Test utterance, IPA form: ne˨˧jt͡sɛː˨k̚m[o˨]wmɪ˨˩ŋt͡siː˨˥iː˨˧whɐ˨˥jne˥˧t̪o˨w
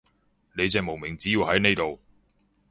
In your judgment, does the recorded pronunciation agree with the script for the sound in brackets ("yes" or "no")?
yes